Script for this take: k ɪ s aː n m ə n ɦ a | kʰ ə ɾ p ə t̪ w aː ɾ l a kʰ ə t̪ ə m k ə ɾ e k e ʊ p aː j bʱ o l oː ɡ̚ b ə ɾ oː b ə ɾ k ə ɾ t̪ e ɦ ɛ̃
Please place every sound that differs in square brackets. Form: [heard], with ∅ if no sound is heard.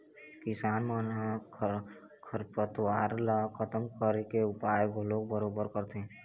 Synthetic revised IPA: k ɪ s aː n m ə n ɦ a | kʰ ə ɾ p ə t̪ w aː ɾ l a kʰ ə t̪ ə m k ə ɾ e k e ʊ p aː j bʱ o l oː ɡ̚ b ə ɾ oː b ə ɾ k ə ɾ t̪ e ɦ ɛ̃